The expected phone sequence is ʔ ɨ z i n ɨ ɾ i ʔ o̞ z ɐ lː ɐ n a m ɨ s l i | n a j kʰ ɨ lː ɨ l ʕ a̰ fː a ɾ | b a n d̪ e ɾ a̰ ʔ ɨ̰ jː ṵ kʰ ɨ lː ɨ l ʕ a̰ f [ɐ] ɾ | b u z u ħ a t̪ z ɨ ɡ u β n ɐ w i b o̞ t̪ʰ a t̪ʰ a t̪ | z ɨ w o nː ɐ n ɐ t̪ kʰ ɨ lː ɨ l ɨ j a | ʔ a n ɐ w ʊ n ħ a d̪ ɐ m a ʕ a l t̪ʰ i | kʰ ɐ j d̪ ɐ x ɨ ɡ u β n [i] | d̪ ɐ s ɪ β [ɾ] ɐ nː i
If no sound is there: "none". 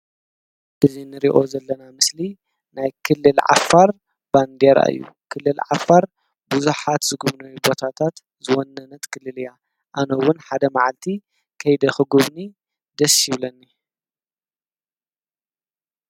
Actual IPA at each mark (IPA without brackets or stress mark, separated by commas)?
a, i, l